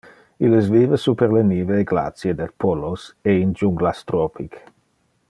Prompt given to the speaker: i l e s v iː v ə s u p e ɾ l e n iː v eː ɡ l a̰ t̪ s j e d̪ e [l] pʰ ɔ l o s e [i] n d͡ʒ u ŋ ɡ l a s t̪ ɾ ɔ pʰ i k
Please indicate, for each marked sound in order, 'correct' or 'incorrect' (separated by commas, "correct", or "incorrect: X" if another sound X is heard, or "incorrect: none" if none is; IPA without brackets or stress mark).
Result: correct, correct